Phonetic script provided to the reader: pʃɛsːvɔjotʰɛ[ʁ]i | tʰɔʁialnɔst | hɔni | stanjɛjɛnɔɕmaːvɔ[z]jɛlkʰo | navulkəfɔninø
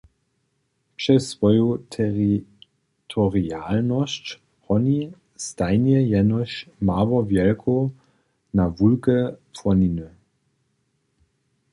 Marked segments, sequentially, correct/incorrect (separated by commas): correct, incorrect